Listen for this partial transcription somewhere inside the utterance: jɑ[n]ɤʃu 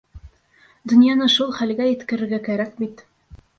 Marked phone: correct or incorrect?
correct